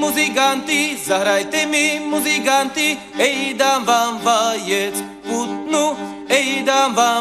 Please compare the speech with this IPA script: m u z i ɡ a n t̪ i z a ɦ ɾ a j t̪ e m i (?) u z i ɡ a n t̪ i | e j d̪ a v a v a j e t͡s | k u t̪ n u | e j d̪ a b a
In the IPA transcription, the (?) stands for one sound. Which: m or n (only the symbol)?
m